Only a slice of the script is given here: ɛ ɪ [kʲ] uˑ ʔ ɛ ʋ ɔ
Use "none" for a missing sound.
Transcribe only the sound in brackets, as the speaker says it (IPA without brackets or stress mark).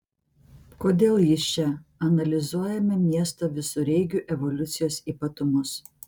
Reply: ɡʲ